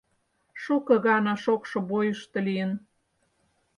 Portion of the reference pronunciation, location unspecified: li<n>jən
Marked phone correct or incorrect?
incorrect